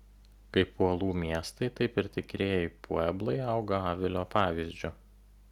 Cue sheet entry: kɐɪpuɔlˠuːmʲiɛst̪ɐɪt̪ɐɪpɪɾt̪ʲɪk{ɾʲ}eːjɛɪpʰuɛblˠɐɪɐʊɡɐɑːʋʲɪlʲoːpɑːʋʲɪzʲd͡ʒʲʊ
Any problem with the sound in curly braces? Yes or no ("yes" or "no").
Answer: no